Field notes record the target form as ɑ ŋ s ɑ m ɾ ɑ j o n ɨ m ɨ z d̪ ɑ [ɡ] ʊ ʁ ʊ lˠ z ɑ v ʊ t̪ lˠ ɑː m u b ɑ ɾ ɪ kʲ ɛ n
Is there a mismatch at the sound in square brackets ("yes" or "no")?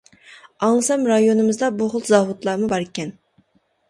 yes